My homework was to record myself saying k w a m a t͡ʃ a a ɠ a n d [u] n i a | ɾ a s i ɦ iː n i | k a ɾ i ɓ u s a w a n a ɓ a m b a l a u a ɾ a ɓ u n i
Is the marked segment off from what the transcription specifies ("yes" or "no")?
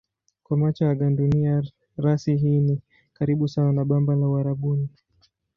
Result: no